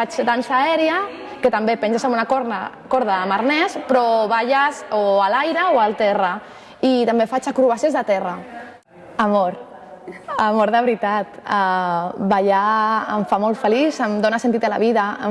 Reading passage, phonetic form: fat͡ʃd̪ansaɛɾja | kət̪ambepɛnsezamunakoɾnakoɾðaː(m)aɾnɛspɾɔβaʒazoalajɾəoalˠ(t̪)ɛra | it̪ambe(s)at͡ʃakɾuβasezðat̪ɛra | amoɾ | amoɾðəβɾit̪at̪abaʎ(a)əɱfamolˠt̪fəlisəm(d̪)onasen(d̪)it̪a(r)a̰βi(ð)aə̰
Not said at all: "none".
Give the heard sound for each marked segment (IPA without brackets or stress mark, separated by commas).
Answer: m, t̪, f, a, d̪, t̪, l, ð